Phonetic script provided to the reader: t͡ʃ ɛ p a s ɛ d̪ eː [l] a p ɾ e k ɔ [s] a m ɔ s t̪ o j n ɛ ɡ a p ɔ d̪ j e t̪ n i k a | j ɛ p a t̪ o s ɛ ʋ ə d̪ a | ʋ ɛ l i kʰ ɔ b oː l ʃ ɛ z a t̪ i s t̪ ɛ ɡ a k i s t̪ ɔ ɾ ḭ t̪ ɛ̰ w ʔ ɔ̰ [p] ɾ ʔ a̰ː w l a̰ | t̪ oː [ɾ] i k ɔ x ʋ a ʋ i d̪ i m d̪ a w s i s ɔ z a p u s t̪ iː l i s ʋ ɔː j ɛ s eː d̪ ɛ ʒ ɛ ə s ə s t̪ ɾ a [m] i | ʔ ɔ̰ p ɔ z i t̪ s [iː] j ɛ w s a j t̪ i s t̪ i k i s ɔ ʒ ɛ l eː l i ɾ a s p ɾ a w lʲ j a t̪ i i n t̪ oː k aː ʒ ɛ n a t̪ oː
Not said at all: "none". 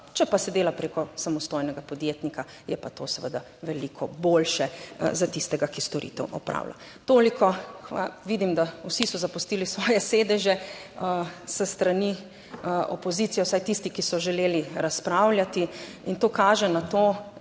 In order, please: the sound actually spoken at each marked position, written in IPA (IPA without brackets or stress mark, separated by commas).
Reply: l, s, p, l, n, i